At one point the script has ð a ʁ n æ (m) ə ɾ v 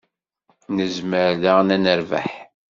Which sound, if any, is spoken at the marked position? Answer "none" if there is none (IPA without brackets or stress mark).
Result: n